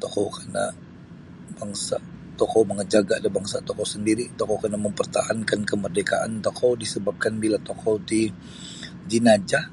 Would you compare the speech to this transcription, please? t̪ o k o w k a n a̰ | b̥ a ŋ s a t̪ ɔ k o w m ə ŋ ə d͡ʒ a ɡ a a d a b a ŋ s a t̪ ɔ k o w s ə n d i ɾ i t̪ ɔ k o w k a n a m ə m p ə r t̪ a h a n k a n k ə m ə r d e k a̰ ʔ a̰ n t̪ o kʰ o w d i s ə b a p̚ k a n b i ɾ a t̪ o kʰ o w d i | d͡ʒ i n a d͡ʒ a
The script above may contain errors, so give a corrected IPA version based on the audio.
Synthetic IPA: t̪ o k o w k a n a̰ | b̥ a ŋ s a t̪ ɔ k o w m ə ŋ ə d͡ʒ a ɡ a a d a b a ŋ s a t̪ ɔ k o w s ə n d i ɾ i t̪ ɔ k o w k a n a m ə m p ə r t̪ a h a n k a n k ə m ə r d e k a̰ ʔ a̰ n t̪ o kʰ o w d i s ə b a p̚ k a n b i l a t̪ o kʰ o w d i | d͡ʒ i n a d͡ʒ a